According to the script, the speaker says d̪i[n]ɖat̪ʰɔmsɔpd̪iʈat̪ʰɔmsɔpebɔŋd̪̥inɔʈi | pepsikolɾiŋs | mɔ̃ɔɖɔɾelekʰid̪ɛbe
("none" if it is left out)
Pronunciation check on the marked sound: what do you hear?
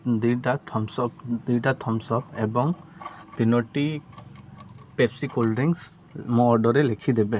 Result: none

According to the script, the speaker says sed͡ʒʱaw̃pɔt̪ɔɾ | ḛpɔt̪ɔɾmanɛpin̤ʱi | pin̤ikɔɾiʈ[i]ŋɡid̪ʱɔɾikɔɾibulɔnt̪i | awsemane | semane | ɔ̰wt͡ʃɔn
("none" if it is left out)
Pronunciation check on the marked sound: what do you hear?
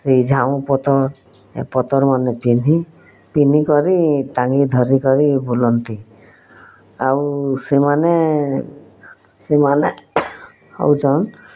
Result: a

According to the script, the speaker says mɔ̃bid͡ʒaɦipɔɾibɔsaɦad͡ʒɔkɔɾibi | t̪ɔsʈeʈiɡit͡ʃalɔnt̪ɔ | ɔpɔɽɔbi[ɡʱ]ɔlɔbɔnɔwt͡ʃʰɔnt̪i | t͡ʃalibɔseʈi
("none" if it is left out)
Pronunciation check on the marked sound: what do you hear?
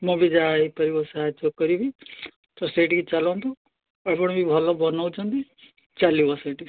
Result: bʱ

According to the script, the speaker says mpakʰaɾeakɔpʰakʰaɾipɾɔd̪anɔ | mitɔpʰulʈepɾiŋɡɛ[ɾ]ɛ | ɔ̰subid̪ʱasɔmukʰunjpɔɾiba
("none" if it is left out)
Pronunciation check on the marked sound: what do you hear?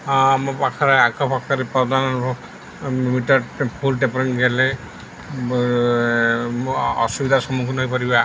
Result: l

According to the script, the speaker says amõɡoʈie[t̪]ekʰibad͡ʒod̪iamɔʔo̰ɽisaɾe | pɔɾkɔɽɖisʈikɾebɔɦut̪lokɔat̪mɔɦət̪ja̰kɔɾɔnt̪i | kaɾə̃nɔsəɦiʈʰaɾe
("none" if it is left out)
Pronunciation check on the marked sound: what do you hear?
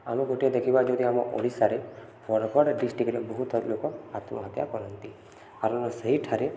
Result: d̪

